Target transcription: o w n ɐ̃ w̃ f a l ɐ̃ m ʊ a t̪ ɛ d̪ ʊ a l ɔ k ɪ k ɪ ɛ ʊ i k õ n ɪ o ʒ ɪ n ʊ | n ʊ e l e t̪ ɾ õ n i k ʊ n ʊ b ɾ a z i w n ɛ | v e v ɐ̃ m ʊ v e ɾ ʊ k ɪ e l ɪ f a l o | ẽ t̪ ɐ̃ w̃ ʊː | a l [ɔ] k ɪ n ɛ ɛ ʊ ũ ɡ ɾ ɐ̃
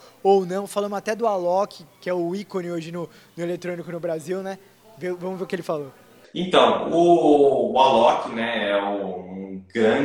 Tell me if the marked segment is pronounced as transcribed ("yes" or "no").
yes